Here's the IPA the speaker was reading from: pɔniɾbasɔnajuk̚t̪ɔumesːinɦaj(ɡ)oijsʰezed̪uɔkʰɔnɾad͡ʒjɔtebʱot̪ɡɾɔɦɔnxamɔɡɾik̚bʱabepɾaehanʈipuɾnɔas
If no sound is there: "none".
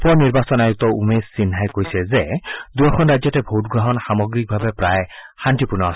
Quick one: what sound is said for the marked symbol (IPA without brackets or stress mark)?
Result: k